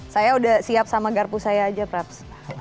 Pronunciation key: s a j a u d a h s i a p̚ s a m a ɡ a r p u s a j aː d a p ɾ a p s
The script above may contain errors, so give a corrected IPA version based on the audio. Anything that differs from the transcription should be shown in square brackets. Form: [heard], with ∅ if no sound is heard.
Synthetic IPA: s a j a u d a h s i a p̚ s a m a ɡ a r p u s a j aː [d͡ʒ] a p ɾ a p s